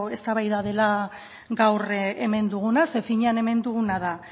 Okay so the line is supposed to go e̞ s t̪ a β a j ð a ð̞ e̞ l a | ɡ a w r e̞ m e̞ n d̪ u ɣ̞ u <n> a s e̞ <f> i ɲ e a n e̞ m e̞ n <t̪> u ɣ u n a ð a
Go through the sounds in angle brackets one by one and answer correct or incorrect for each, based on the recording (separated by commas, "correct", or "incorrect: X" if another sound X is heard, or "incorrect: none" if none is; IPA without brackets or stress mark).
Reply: correct, correct, incorrect: d̪